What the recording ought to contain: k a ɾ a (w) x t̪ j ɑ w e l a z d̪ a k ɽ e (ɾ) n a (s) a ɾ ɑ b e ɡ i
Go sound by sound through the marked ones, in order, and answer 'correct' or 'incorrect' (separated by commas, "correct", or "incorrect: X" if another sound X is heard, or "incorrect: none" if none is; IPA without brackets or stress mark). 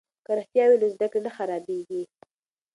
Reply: incorrect: none, incorrect: none, incorrect: x